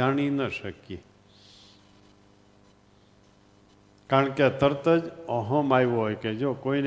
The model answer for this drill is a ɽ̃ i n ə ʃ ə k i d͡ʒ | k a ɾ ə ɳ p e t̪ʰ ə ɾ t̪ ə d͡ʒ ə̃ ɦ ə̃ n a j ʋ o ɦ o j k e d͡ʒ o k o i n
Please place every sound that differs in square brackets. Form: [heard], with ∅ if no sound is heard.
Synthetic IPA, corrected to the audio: a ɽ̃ i n ə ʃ ə k i [∅] | k a ɾ ə ɳ [k] e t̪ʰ ə ɾ t̪ ə d͡ʒ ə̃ ɦ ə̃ [m] a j ʋ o ɦ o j k e d͡ʒ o k o i n